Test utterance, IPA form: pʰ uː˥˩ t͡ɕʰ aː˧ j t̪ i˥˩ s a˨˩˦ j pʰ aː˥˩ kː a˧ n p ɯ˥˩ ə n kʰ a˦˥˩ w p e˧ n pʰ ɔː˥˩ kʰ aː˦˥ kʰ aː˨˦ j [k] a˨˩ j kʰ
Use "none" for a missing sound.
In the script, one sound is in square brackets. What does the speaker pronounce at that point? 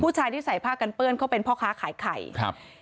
kʰ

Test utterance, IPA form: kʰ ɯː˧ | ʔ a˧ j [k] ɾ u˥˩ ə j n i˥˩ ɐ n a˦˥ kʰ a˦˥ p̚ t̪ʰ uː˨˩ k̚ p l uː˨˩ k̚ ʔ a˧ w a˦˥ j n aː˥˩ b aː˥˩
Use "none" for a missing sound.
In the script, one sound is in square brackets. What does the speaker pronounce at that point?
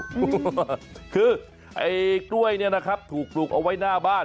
k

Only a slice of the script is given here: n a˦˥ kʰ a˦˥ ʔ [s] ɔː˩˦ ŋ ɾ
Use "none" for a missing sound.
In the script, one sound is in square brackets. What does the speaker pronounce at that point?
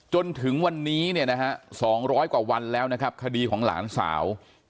s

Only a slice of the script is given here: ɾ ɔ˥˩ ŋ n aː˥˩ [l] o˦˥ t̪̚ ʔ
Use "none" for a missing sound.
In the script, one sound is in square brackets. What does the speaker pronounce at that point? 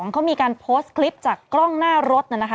ɾ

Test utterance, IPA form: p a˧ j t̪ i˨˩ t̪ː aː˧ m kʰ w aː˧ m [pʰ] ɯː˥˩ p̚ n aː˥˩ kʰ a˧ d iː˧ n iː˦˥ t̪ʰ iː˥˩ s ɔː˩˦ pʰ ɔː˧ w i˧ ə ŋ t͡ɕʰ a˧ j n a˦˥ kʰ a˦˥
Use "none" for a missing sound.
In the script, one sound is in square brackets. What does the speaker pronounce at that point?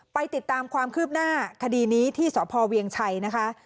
kʰ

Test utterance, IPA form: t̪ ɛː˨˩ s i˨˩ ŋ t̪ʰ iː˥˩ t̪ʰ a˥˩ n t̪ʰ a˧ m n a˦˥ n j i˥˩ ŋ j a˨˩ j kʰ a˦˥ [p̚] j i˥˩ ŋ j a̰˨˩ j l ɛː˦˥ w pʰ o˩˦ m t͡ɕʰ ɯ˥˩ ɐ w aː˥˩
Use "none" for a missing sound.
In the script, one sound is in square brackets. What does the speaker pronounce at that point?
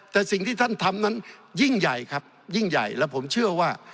p̚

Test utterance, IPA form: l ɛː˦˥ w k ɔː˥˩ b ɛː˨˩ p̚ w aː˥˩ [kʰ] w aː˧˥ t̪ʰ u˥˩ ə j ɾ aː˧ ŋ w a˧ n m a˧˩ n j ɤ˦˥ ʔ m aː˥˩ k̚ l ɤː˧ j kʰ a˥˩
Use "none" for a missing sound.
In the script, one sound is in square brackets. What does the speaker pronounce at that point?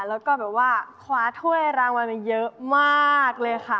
kʰ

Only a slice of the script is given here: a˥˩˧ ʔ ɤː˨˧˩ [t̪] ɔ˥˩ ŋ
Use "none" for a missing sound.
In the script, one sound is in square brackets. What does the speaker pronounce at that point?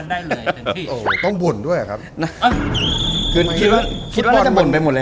t̪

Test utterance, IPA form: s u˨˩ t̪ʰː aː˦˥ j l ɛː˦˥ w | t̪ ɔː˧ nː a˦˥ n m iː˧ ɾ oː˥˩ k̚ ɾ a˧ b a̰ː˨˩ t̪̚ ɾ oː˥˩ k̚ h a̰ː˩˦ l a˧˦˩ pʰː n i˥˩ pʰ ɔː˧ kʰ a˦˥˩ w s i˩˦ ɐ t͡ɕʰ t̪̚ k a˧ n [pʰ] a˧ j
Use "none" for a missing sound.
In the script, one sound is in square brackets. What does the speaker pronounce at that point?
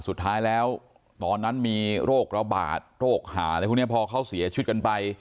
p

